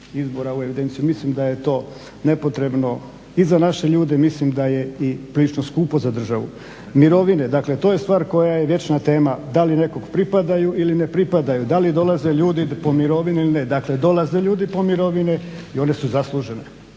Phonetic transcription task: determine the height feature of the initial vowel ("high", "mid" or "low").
high